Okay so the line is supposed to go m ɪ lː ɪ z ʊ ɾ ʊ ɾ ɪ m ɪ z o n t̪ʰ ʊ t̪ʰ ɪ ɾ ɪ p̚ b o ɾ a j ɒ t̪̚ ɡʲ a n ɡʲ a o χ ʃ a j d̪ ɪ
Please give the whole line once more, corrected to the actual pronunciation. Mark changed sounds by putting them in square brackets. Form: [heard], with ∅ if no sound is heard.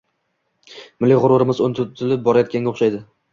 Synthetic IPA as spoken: m ɪ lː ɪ [ʁ] ʊ ɾ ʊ ɾ ɪ m ɪ z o n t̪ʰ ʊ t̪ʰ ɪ [l] ɪ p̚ b [ɒ] ɾ a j ɒ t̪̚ [kʲ] a n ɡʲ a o χ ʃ a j d̪ ɪ